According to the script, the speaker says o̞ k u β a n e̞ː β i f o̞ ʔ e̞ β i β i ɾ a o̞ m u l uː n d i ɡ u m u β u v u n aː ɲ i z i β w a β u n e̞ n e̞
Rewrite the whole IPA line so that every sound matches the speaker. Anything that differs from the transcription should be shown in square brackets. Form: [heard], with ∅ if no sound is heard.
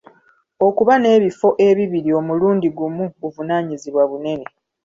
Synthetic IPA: o̞ k u β a n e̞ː β i f o̞ ʔ e̞ β i β i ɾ [i] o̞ m u l uː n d i ɡ u m u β u v u n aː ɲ i z i β w a β u n e̞ n e̞